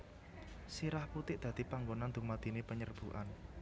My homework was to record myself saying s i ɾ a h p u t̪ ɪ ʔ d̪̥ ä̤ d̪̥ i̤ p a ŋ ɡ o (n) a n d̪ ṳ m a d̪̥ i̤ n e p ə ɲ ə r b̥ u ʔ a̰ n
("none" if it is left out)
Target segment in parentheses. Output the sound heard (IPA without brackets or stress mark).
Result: n